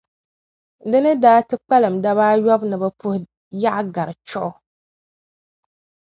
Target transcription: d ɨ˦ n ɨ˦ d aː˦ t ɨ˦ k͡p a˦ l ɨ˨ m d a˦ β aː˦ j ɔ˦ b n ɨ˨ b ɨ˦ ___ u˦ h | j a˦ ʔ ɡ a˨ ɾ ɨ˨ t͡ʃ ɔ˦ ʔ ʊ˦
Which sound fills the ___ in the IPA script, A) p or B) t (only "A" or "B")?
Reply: A